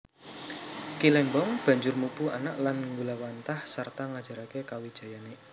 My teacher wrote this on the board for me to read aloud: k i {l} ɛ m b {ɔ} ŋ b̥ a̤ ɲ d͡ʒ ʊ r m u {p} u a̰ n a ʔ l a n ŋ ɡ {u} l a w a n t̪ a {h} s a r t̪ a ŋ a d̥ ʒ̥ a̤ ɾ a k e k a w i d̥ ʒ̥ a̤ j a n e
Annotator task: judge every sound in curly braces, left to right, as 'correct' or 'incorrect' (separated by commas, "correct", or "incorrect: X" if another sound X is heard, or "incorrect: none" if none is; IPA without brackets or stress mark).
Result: correct, correct, correct, correct, correct